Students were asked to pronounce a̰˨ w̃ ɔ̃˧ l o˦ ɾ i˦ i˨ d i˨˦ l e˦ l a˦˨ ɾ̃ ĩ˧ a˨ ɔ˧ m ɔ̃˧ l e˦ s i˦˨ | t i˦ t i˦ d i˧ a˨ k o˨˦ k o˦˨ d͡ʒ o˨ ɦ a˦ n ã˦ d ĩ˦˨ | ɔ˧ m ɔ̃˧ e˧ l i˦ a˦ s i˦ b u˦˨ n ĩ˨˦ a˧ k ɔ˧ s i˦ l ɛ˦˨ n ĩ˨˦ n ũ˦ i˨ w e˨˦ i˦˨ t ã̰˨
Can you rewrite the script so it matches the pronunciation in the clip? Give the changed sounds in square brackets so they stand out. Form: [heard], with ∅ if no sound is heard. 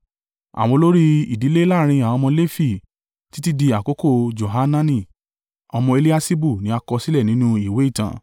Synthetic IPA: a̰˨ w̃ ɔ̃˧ l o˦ ɾ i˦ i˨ d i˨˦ l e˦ l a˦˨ ɾ̃ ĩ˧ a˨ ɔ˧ m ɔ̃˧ l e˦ [f] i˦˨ | t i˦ t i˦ d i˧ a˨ k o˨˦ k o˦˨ d͡ʒ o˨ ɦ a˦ n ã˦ [n] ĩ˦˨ | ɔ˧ m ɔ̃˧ e˧ l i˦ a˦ s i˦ b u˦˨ n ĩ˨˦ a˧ k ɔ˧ s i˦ l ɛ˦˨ n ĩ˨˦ n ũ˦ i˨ w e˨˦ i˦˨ t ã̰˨